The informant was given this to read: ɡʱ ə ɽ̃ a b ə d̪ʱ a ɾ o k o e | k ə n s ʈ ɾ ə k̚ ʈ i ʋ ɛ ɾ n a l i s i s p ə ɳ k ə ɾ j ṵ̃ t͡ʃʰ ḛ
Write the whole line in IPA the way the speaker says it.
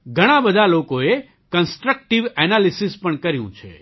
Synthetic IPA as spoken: ɡʱ ə ɽ̃ a b ə d̪ʱ a l o k o e | k ə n s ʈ ɾ ə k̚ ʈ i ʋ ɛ n a l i s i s p ə ɳ k ə ɾ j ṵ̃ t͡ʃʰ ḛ